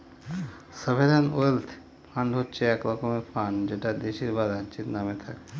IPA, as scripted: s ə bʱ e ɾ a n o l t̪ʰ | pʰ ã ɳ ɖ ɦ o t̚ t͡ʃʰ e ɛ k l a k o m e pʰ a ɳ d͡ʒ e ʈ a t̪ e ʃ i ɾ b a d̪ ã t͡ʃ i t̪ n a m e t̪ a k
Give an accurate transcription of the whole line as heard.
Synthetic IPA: s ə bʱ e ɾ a n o l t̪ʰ | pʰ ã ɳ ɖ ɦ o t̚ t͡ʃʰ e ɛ k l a k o m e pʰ a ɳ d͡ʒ e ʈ a d̪ e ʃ i ɾ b a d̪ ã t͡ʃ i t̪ n a m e t̪ʰ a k